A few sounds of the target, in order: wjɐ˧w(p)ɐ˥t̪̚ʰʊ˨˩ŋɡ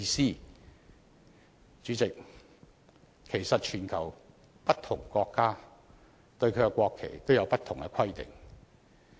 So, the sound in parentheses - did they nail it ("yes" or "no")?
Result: yes